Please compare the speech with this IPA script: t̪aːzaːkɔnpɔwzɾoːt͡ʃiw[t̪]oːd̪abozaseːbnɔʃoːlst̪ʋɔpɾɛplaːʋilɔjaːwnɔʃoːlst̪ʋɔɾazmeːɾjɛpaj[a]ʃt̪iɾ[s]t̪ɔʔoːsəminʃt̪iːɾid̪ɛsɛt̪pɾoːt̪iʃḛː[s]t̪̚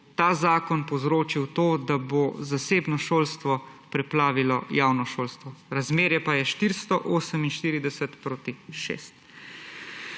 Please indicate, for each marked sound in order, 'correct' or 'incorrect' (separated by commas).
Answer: correct, incorrect, correct, correct